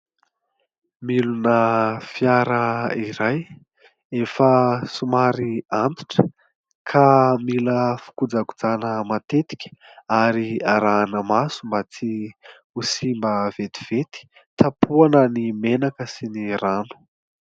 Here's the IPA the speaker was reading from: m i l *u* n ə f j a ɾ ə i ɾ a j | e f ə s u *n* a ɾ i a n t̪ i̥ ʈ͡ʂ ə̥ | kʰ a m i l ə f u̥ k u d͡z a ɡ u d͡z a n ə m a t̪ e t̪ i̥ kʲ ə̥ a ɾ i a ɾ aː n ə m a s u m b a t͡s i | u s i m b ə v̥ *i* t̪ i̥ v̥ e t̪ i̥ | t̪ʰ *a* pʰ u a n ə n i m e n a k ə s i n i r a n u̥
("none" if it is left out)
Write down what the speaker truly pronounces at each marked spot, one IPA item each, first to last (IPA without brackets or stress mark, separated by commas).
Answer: u, m, e, a